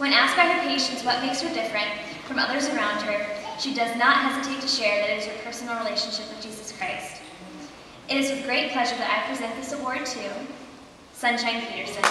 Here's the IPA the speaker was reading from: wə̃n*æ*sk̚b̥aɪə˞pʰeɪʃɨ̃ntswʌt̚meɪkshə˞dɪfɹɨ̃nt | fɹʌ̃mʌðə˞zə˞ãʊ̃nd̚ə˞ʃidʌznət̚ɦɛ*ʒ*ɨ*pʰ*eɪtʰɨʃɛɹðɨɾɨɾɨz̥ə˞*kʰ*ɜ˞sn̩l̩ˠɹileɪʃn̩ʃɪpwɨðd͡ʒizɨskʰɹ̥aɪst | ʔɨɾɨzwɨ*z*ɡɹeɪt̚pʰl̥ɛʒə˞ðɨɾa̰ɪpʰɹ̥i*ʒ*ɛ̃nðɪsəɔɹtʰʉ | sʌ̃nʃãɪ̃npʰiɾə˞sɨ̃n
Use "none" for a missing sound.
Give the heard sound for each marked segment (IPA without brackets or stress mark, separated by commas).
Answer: æ, z, tʰ, pʰ, ð, z